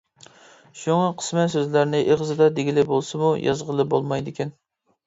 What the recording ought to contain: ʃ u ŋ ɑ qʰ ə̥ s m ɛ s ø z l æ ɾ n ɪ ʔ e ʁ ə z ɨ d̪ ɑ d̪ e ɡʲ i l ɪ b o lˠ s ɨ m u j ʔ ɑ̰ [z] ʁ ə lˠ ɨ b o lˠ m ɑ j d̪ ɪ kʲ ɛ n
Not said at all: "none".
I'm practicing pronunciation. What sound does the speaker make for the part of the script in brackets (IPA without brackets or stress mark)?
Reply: z